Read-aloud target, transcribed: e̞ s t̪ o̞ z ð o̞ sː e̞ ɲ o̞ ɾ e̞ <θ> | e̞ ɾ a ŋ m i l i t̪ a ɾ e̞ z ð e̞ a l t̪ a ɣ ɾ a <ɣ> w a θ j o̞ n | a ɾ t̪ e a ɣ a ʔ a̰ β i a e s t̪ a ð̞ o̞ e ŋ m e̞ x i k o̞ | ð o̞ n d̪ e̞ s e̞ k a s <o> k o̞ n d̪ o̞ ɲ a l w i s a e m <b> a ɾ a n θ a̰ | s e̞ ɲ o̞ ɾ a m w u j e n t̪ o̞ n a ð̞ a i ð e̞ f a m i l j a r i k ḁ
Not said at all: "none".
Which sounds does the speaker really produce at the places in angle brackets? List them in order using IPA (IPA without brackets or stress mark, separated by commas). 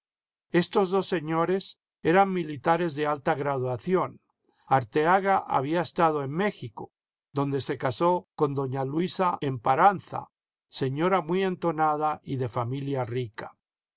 s, ð, o, p